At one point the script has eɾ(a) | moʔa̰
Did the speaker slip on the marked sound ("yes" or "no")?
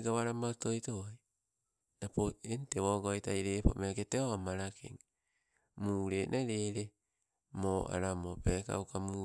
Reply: yes